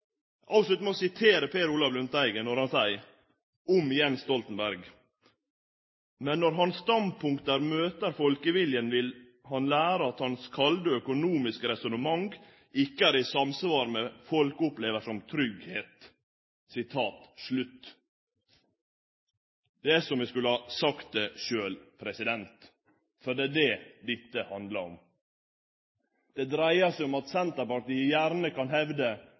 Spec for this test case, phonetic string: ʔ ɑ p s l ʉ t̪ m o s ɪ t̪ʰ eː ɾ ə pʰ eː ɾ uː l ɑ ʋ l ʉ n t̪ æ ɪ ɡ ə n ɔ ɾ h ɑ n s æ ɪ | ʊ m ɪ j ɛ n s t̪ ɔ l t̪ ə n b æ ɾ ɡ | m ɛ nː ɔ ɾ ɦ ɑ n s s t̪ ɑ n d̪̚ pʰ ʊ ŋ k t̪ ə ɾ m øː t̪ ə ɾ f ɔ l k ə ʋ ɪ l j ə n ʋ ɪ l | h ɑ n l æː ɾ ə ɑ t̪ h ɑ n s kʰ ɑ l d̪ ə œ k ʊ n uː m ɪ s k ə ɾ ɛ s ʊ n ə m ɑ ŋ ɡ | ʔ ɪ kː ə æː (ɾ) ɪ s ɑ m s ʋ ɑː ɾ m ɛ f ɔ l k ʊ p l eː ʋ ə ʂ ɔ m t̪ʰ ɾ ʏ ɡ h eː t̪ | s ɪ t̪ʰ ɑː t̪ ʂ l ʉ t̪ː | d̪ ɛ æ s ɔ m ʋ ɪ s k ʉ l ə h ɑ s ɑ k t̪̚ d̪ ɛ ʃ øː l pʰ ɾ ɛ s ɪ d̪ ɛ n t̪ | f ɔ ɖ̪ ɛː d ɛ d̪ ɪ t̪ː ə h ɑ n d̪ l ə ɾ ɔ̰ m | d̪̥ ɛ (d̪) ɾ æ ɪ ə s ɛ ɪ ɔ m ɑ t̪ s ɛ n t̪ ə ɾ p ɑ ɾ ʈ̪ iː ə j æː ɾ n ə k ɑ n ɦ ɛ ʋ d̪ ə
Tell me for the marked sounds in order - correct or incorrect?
correct, correct

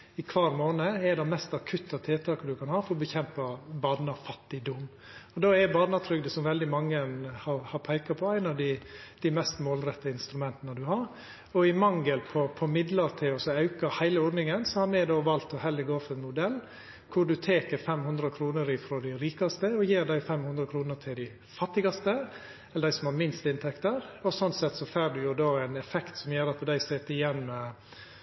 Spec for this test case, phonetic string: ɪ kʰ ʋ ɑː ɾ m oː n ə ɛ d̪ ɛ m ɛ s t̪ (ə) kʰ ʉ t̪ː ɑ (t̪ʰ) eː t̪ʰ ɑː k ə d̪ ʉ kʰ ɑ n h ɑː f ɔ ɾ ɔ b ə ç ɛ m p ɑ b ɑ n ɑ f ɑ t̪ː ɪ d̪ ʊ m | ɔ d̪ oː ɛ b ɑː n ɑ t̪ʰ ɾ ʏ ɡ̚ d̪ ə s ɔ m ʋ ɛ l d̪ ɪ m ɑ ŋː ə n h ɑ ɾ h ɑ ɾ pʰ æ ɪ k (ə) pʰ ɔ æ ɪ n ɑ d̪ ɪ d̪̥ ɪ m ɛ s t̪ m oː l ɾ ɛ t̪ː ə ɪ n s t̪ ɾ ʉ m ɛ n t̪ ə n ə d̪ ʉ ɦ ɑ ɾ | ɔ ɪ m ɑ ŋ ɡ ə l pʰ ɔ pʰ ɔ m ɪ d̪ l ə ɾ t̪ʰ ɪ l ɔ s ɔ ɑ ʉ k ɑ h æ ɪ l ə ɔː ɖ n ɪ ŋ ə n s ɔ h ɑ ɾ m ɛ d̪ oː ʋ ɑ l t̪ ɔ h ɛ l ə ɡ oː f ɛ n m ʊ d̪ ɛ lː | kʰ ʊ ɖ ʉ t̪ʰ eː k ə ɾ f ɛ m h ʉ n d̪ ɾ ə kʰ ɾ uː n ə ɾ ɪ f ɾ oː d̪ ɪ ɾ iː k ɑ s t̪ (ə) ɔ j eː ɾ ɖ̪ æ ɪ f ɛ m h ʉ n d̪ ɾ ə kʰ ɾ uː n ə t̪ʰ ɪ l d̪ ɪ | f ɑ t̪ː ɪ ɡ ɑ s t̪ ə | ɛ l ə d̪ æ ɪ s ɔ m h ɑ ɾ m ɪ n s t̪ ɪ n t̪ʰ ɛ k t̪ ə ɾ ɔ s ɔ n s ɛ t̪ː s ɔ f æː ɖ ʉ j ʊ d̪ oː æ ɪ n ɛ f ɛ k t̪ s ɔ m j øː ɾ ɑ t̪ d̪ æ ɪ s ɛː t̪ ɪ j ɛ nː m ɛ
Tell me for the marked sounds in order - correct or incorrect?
incorrect: ɑ, correct, incorrect: ɑ, correct

